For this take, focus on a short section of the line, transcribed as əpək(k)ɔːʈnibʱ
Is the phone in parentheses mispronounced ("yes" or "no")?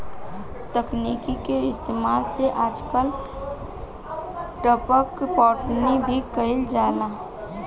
yes